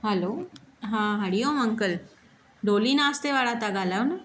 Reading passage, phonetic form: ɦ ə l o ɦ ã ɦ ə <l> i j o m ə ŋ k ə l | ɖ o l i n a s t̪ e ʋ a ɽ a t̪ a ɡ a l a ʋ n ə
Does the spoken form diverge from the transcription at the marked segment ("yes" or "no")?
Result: yes